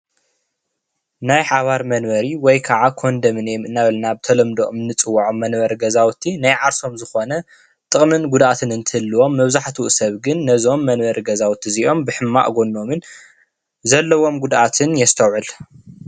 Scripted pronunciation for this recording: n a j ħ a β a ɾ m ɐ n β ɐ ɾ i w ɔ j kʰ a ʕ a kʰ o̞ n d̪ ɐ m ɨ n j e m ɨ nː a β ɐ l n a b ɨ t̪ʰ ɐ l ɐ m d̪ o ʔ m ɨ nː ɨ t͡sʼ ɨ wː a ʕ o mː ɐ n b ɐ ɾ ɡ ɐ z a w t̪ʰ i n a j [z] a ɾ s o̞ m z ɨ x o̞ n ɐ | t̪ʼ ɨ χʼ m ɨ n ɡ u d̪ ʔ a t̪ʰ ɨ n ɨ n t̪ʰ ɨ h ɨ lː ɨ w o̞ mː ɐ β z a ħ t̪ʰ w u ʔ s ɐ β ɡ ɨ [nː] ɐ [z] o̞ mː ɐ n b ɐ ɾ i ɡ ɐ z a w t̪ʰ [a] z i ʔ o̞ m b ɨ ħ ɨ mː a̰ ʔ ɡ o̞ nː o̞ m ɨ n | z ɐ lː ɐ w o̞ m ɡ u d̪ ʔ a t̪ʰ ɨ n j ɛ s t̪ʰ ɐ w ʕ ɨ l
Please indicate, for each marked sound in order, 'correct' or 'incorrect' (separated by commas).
incorrect, correct, correct, incorrect